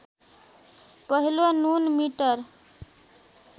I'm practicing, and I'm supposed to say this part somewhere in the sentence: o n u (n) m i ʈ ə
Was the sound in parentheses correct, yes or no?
yes